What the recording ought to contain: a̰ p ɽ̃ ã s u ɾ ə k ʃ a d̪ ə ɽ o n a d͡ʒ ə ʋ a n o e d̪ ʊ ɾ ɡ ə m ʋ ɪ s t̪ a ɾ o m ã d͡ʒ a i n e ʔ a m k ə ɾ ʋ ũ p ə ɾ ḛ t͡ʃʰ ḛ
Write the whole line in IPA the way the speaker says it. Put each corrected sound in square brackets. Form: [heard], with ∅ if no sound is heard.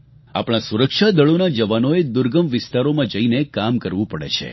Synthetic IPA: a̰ p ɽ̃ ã s u ɾ ə k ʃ a d̪ ə [ɭ] o n a d͡ʒ ə ʋ a n o e d̪ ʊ ɾ ɡ ə m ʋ ɪ s t̪ a ɾ o m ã d͡ʒ [ə] i n e [k] a m k ə ɾ ʋ ũ p ə [ɽ] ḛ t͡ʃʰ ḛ